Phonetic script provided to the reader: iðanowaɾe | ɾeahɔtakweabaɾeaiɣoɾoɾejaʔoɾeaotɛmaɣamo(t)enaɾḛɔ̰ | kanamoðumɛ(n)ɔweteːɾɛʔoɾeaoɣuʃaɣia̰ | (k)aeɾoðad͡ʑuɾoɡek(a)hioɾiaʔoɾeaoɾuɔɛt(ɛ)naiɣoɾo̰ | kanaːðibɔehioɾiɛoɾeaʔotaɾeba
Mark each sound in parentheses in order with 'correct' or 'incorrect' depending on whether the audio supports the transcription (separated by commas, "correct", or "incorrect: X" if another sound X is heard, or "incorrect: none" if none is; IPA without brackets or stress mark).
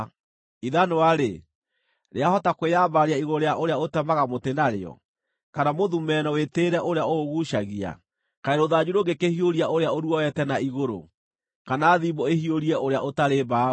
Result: correct, correct, correct, incorrect: e, correct